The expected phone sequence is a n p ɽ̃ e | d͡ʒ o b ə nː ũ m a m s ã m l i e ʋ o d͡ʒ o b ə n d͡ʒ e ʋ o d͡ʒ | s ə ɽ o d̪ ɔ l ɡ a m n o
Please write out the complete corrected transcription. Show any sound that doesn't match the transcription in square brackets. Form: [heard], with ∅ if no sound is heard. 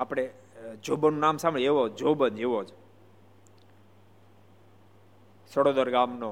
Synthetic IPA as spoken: a [∅] p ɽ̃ e | d͡ʒ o b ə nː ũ [n] a m s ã m [ɭ] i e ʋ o d͡ʒ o b ə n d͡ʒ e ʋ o d͡ʒ | s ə ɽ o d̪ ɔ [ɾ] ɡ a m n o